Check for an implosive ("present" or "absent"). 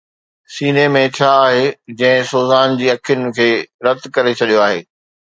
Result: present